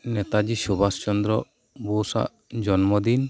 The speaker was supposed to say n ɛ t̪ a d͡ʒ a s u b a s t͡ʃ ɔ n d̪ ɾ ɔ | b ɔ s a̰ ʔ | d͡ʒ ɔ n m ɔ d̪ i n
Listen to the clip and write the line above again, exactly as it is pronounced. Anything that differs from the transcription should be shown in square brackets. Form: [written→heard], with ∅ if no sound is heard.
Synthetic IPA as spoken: n ɛ t̪ a d͡ʒ [a→i] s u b a s t͡ʃ ɔ n d̪ ɾ ɔ | b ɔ s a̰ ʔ | d͡ʒ ɔ n m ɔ d̪ i n